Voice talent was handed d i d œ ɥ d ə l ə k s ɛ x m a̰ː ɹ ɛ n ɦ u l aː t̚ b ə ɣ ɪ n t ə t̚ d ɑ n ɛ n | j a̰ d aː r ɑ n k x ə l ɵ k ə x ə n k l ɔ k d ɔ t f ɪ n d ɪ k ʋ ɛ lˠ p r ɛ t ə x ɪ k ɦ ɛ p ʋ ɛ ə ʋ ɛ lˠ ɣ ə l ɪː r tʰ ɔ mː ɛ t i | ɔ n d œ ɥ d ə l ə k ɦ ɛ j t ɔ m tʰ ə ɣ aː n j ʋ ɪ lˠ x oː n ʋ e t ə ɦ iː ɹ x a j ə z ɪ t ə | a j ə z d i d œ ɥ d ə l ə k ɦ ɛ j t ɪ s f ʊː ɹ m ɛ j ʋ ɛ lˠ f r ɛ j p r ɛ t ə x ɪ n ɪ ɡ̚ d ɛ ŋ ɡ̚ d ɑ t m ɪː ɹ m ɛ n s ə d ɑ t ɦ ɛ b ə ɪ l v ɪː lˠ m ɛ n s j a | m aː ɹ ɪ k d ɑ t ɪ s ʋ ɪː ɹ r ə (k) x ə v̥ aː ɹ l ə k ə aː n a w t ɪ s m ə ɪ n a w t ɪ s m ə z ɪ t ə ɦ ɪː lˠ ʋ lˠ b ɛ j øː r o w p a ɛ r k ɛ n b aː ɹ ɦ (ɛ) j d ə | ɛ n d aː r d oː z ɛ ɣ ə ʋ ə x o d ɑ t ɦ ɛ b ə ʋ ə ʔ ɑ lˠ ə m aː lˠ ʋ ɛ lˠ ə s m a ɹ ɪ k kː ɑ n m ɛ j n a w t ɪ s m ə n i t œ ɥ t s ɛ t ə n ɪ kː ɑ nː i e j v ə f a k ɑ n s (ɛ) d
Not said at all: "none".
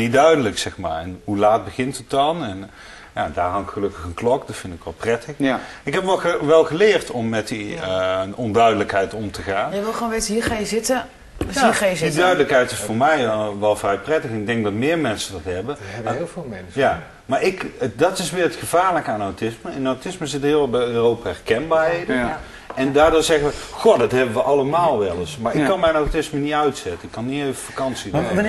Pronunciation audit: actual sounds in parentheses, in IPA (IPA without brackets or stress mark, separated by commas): t, e, i